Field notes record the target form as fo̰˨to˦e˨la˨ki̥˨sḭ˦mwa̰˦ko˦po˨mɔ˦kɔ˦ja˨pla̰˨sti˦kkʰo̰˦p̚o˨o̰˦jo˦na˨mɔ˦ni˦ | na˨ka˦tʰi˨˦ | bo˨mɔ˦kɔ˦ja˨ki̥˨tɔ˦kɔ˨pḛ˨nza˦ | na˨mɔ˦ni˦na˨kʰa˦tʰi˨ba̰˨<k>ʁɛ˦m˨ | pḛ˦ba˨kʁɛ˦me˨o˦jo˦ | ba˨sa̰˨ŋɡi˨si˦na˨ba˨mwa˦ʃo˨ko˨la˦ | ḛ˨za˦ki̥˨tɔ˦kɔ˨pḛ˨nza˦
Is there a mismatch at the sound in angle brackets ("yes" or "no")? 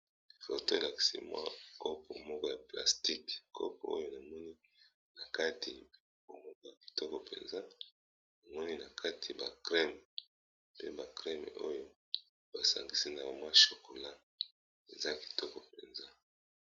no